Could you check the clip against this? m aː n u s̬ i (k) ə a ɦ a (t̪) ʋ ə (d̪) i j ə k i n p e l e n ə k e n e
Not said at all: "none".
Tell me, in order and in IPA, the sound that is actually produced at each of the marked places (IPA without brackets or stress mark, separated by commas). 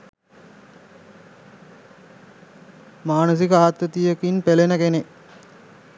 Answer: k, t̪, t̪